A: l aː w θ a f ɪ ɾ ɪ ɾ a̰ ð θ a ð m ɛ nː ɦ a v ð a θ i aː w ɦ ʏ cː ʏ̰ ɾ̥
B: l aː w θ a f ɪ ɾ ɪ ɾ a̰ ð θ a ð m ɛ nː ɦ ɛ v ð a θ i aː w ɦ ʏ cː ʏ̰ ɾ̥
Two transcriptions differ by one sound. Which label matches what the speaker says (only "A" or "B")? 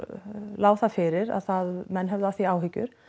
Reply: B